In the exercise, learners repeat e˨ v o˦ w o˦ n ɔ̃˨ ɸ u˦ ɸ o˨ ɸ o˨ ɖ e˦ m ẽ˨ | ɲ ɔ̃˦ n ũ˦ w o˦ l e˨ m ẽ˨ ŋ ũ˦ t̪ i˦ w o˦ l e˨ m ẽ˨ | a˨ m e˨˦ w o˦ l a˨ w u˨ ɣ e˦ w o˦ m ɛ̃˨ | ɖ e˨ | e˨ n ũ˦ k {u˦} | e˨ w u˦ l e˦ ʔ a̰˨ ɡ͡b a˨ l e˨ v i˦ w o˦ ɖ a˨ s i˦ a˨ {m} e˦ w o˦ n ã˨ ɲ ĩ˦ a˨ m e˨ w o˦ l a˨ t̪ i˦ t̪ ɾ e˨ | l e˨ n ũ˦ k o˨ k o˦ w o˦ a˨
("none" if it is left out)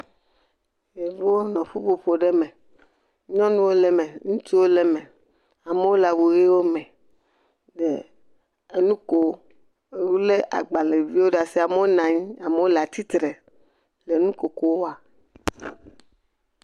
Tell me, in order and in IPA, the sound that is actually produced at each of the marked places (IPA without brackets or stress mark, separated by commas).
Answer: o˦, m